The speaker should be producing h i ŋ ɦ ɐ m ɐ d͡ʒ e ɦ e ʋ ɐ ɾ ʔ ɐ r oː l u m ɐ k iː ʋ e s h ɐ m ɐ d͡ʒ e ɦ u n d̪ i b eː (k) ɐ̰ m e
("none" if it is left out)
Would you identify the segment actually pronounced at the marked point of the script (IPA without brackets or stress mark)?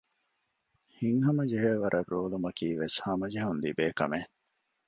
k